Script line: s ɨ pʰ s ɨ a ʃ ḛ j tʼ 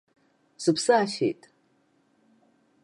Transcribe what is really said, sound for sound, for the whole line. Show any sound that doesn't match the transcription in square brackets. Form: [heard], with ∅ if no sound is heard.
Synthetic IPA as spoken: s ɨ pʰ s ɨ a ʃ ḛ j tʼ